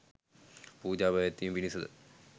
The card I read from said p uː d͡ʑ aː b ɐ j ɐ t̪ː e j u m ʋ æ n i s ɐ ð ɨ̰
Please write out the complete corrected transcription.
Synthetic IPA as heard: p uː d͡ʑ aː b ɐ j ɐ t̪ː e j u m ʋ i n i s ɐ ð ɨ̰